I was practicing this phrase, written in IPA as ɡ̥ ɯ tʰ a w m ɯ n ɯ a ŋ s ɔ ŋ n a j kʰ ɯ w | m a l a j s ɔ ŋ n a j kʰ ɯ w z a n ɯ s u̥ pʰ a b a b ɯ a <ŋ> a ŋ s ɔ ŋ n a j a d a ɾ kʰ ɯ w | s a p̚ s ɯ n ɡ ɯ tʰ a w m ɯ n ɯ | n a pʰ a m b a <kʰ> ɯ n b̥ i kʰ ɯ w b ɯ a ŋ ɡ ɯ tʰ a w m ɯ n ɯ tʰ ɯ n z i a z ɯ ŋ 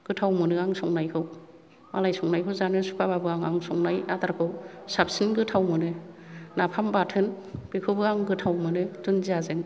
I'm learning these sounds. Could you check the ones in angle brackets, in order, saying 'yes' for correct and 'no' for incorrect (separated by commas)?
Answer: yes, no